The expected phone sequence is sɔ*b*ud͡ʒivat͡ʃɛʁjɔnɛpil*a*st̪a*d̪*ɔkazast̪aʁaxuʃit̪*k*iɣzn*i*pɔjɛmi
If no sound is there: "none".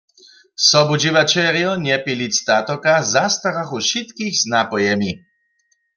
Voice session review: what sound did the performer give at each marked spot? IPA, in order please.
b, i, t̪, k, a

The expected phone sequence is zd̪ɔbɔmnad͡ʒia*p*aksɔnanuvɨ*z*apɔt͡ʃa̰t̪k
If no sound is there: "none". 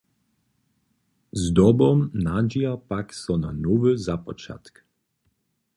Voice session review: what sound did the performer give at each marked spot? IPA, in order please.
p, z

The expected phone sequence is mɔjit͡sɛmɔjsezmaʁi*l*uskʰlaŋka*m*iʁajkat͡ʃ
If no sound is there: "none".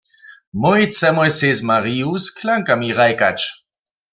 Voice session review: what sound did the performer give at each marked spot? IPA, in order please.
none, m

